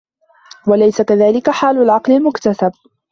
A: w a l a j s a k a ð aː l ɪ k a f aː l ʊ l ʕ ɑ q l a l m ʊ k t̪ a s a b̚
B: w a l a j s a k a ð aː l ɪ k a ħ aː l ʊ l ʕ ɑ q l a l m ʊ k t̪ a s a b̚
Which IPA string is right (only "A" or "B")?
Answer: B